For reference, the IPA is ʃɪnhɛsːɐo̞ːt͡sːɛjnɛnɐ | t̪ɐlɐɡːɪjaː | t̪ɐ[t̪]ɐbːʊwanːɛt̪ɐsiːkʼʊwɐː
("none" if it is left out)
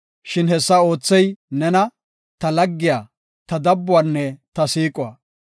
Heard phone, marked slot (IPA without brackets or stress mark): d̪